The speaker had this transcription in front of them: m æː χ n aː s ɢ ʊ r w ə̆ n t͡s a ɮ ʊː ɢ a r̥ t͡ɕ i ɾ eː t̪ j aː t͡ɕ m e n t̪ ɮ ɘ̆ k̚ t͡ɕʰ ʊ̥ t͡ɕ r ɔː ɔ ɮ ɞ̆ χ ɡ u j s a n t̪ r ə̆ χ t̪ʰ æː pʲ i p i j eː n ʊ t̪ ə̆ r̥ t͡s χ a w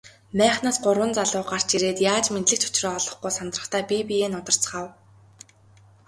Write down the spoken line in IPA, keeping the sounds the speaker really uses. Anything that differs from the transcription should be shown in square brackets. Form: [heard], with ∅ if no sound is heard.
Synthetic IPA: m æː χ n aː s ɢ ʊ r w ə̆ n t͡s a ɮ ʊː ɢ a r̥ t͡ɕ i ɾ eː t̪ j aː t͡ɕ m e n t̪ ɮ ɘ̆ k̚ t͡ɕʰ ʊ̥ t͡ɕ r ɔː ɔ ɮ ɞ̆ χ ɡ u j s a n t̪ r ə̆ χ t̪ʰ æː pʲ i p i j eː n ʊ t̪ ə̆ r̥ t͡s χ a w